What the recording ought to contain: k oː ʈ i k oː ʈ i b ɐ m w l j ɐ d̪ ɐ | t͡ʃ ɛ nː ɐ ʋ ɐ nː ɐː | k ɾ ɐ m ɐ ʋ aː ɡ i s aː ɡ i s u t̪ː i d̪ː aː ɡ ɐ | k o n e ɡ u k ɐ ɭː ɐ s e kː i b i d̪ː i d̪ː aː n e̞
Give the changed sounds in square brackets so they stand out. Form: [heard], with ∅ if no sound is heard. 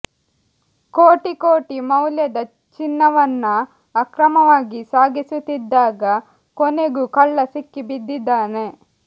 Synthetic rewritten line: k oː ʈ i k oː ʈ i [m] ɐ [∅] w l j ɐ d̪ ɐ | t͡ʃ [i] nː ɐ ʋ ɐ nː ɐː | k ɾ ɐ m ɐ ʋ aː ɡ i s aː ɡ i s u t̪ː i d̪ː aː ɡ ɐ | k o n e ɡ u k ɐ ɭː ɐ s [i] kː i b i d̪ː i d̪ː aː n e̞